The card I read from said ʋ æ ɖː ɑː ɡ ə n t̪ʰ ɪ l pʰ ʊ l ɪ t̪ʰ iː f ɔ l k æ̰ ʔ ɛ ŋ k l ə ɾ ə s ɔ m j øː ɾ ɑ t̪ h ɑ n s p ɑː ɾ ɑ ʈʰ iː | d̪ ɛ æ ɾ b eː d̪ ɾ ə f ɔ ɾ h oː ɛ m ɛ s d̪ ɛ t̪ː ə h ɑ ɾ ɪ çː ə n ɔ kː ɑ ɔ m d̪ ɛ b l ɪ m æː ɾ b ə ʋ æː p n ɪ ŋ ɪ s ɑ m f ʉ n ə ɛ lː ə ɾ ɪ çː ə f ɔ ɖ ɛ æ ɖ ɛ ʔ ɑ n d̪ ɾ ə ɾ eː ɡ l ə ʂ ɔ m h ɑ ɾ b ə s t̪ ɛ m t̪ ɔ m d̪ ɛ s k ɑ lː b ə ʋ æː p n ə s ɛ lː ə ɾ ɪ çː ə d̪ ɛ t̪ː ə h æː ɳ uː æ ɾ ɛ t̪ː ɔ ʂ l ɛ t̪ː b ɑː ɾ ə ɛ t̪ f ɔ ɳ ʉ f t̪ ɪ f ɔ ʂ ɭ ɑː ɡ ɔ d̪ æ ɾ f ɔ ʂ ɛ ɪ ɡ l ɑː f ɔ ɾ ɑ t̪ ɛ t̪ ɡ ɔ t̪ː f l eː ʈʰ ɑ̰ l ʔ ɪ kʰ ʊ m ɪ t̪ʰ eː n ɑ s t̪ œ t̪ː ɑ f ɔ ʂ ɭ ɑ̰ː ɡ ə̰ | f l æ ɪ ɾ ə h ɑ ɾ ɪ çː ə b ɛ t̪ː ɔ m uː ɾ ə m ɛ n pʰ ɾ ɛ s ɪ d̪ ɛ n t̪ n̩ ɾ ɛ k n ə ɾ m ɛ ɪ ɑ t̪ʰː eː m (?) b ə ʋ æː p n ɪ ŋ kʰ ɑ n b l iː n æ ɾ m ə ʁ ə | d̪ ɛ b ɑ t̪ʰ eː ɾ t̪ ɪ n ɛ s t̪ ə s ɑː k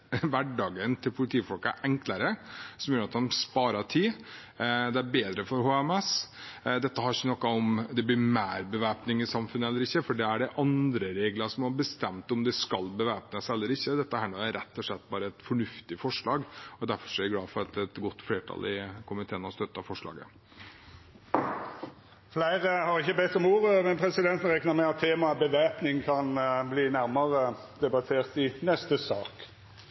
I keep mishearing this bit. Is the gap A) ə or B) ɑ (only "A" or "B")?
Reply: B